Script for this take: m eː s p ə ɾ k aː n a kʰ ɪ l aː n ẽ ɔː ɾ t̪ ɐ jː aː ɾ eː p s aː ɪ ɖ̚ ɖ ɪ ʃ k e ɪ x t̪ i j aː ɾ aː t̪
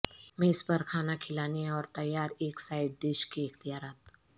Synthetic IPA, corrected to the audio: m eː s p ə ɾ kʰ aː n a kʰ ɪ l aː n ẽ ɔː ɾ t̪ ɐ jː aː ɾ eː k s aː ɪ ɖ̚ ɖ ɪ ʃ k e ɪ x t̪ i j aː ɾ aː t̪